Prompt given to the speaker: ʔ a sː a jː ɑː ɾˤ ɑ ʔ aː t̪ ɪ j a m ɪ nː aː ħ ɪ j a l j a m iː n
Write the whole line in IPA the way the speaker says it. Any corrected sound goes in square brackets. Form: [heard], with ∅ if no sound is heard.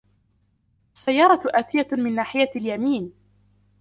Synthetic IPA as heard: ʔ a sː a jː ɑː ɾˤ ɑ ʔ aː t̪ ɪ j a m ɪ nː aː ħ ɪ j a l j a m iː n